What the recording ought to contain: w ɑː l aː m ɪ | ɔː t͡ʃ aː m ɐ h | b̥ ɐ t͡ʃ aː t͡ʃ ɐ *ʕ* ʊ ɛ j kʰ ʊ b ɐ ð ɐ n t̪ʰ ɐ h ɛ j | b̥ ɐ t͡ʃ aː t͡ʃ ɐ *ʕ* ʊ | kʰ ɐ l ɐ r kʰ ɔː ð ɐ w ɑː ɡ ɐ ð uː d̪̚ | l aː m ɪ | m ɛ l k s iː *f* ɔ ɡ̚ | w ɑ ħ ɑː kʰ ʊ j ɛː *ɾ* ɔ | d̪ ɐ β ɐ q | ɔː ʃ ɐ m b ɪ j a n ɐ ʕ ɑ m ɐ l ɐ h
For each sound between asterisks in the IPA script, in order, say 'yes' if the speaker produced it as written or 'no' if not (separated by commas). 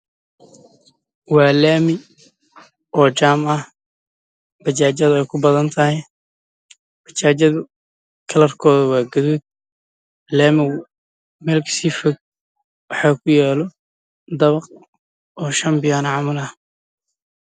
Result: no, no, yes, no